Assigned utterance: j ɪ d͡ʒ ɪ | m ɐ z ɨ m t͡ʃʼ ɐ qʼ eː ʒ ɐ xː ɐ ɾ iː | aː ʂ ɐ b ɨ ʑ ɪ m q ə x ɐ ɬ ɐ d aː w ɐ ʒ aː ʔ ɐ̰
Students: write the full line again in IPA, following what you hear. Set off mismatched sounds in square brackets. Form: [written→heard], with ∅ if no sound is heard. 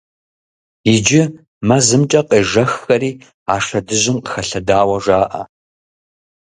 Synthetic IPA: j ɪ d͡ʒ ɪ | m ɐ z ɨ m t͡ʃʼ ɐ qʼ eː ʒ ɐ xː ɐ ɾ iː | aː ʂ ɐ [b→d] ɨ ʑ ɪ m q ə x ɐ ɬ ɐ d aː w ɐ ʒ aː ʔ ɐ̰